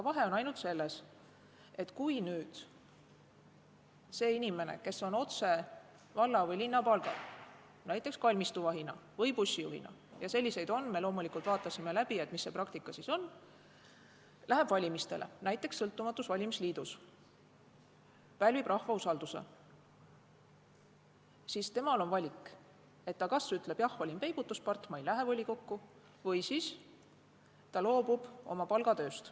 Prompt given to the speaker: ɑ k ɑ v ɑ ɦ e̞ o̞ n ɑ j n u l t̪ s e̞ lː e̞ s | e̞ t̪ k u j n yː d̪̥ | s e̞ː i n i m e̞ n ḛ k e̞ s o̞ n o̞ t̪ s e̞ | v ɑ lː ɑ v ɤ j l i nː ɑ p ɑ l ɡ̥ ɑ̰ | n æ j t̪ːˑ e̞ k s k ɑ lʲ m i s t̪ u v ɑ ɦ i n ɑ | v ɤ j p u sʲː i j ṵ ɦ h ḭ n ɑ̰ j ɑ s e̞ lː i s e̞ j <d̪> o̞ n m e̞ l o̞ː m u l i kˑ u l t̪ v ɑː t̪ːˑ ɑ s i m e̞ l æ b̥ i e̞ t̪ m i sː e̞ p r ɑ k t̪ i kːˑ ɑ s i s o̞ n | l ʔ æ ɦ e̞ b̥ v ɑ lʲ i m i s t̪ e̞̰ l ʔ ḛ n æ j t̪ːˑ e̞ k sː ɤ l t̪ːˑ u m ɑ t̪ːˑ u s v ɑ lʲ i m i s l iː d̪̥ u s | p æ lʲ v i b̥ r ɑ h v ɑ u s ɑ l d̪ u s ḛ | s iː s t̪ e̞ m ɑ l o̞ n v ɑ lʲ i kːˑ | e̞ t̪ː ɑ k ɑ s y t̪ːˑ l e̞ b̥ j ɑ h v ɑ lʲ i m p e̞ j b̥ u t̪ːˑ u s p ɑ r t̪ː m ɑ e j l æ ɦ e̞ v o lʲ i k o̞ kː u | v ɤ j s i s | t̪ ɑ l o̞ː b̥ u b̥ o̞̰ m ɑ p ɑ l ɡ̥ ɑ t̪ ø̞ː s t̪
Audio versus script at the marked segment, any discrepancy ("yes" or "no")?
no